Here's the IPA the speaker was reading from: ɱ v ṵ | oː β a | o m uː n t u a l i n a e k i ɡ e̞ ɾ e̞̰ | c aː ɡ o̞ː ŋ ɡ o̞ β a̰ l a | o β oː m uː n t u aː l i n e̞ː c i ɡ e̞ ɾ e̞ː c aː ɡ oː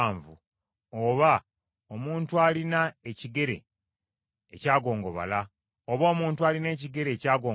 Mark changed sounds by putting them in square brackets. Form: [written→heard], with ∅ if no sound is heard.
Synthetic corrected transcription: ɱ v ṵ | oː β a | o m uː n t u a l i n a e [k→c] i ɡ e̞ ɾ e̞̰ | c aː ɡ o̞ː ŋ ɡ o̞ β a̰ l a | o β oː m uː n t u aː l i n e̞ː c i ɡ e̞ ɾ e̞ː c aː ɡ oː